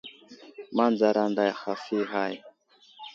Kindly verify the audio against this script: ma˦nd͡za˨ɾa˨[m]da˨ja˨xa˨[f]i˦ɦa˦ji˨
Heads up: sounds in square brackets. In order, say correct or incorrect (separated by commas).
incorrect, correct